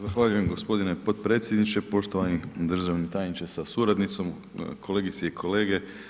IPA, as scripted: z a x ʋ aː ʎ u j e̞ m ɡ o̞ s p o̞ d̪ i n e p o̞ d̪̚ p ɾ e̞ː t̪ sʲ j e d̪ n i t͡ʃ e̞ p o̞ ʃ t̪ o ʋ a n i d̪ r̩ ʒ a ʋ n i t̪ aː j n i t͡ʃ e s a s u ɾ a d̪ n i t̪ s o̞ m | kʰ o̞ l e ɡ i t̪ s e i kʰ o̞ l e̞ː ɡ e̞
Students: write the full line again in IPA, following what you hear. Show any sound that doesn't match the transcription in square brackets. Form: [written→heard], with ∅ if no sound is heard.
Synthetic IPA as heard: z a x ʋ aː ʎ u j e̞ m ɡ o̞ s p o̞ d̪ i n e p o̞ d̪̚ p ɾ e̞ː t̪ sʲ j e d̪ n i t͡ʃ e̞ p o̞ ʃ t̪ o ʋ a n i d̪ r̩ ʒ a ʋ n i t̪ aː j n i t͡ʃ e s a s u ɾ a d̪ n i t̪ s o̞ m | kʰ o̞ l e ɡ i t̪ s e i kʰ o̞ l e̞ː ɡ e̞